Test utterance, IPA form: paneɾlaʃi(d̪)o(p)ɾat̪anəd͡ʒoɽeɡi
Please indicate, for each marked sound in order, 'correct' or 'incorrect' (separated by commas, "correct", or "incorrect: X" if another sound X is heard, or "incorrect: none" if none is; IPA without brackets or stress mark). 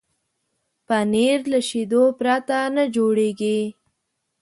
correct, correct